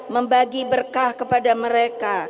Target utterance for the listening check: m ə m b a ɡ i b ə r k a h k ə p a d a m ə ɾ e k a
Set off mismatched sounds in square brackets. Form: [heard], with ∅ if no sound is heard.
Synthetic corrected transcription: m ə m b a ɡ i b ə r k a h k ə p a d a m ə ɾ e k a